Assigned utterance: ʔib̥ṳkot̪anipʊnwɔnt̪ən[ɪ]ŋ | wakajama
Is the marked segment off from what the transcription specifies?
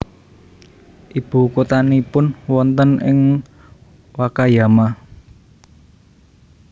no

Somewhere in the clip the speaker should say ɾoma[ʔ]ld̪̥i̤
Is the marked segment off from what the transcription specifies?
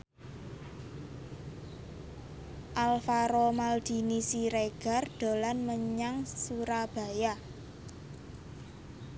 yes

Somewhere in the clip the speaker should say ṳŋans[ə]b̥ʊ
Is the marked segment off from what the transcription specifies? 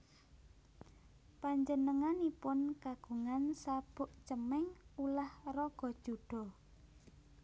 yes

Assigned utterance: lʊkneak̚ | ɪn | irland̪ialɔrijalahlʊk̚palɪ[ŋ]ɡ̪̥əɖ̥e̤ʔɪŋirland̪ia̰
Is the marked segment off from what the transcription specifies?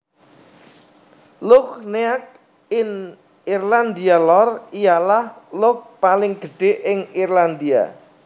no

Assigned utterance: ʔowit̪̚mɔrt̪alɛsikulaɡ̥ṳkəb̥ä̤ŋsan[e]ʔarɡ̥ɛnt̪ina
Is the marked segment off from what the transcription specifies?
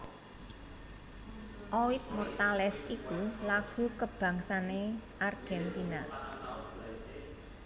no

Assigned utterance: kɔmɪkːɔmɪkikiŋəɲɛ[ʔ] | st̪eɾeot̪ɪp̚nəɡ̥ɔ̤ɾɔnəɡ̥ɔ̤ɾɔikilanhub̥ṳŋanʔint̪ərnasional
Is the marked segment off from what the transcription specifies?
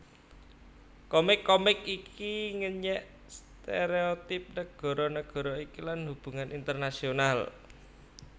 no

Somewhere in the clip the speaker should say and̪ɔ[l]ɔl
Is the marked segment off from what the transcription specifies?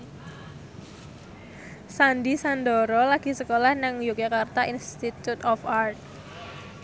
yes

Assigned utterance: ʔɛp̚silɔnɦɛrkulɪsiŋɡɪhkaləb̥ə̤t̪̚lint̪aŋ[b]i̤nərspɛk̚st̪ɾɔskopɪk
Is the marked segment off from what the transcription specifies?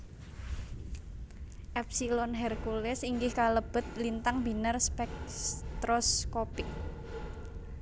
no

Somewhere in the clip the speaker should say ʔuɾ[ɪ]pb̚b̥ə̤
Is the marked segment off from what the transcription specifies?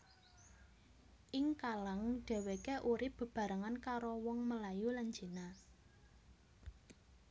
no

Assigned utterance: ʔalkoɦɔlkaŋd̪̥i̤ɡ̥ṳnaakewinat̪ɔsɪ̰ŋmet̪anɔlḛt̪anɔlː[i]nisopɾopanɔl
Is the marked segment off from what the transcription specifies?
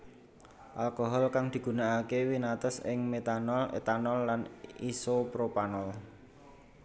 yes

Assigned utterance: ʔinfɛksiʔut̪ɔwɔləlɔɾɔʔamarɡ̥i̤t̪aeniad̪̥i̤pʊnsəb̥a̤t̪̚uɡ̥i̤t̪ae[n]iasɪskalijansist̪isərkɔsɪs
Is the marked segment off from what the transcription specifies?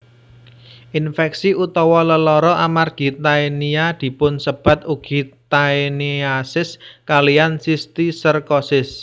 no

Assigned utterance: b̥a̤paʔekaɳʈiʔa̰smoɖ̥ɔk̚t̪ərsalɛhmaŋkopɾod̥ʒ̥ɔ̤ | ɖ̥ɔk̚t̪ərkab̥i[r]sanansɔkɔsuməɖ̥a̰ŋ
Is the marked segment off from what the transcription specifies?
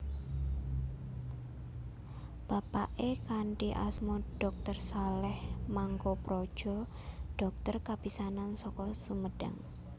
yes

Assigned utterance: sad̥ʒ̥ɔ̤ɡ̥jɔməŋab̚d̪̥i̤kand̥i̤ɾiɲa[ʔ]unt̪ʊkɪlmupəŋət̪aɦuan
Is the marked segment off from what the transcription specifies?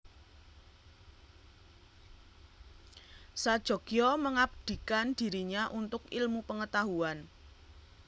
no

